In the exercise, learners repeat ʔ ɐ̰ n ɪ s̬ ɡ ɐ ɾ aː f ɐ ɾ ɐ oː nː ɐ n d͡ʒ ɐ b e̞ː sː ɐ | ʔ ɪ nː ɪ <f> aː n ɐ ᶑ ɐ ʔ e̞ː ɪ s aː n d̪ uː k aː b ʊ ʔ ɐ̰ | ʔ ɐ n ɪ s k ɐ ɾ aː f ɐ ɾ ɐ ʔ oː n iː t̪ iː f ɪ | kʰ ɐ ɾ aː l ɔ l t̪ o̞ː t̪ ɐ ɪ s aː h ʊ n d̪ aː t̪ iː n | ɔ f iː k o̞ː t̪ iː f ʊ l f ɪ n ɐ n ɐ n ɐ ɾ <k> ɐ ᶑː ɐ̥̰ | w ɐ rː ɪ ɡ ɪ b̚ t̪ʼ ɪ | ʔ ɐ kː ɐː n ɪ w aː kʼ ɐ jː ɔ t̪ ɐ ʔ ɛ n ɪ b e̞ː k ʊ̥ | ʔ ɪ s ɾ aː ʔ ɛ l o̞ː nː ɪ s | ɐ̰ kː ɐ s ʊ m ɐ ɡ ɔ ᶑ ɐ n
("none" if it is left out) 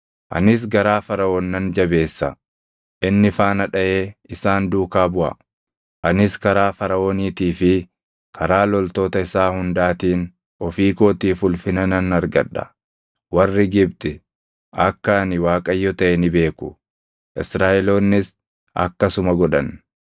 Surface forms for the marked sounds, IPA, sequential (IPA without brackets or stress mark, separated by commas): f, ɡ